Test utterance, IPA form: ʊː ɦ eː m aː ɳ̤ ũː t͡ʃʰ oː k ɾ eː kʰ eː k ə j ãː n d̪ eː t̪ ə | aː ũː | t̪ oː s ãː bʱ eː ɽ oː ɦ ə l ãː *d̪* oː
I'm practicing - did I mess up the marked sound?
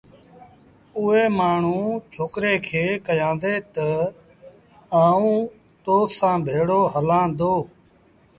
no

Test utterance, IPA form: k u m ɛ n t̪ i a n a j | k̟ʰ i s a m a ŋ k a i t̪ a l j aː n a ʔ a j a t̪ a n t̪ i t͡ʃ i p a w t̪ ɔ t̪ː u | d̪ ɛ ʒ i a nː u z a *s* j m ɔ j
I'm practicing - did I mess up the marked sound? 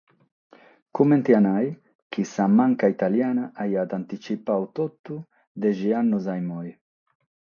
yes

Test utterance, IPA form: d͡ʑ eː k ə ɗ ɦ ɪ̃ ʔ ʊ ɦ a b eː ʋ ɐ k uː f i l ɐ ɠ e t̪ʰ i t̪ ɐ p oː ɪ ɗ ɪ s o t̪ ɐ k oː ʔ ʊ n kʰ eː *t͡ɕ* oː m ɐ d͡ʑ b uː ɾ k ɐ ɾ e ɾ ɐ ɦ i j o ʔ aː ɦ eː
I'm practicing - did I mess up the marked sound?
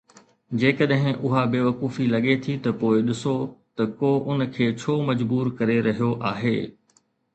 yes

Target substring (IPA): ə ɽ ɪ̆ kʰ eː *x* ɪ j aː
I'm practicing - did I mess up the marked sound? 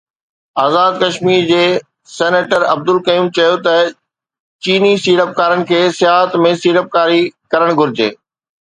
yes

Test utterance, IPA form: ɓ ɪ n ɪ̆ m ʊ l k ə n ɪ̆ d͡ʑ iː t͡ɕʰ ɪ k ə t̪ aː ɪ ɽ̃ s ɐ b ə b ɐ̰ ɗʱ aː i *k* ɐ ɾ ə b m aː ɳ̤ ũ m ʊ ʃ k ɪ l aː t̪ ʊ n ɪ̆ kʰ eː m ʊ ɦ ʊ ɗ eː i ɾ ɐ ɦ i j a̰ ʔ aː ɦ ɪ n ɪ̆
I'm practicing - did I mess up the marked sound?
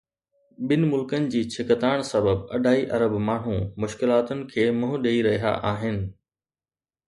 yes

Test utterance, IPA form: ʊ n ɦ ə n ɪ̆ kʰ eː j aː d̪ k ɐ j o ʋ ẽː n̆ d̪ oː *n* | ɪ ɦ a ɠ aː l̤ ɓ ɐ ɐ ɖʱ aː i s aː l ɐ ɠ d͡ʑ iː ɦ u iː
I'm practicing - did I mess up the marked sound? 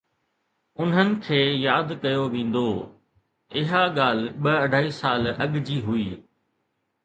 yes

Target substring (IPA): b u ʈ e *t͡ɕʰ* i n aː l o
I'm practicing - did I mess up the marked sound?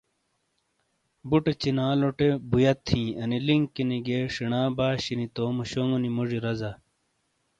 yes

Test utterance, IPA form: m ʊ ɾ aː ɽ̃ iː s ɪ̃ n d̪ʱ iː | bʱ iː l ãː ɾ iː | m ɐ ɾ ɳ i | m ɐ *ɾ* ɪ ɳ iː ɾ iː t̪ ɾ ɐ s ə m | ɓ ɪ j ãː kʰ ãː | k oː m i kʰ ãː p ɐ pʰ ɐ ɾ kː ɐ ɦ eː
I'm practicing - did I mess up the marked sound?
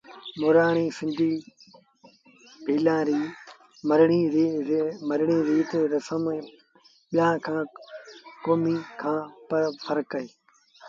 no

